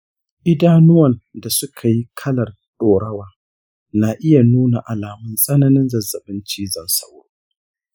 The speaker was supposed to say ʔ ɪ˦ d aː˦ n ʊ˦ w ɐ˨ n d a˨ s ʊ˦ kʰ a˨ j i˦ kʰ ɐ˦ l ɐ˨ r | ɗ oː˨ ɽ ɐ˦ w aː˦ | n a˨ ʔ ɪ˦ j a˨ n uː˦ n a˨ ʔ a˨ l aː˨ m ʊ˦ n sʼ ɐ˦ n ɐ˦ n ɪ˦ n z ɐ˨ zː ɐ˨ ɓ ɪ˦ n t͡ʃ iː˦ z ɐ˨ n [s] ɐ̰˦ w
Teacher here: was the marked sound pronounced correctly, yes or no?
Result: yes